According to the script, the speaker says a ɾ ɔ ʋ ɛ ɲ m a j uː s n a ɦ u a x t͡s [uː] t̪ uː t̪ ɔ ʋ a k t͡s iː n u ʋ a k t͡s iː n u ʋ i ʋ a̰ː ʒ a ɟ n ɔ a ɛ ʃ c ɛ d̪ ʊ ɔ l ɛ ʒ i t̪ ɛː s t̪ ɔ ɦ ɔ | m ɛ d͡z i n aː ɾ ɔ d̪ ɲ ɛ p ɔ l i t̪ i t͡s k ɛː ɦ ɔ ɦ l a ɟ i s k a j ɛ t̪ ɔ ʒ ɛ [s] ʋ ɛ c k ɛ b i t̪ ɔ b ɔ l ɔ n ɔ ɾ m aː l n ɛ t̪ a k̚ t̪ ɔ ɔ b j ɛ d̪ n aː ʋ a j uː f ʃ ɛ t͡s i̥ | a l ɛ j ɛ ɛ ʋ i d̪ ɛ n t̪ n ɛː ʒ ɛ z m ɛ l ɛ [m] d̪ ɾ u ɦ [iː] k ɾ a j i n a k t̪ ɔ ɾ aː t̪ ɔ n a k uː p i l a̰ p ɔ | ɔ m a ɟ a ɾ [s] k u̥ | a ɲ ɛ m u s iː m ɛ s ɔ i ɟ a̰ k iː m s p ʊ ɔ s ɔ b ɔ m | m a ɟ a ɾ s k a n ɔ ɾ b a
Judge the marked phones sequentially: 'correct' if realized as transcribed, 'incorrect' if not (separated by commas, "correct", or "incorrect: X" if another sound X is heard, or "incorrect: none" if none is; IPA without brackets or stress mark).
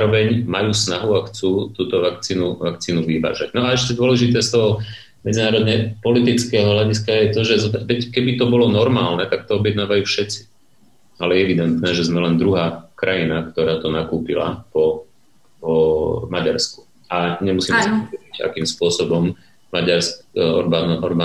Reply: correct, incorrect: z, incorrect: n, incorrect: aː, correct